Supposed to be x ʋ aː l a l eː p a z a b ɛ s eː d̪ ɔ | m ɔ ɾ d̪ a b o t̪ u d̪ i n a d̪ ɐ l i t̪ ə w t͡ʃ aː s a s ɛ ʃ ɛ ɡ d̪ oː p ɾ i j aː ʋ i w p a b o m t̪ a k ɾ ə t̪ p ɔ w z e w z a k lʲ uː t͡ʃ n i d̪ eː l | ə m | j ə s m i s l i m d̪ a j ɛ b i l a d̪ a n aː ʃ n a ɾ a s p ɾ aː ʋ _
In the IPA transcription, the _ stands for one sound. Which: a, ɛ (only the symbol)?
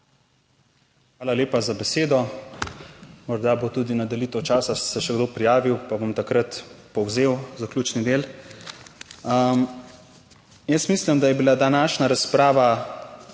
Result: a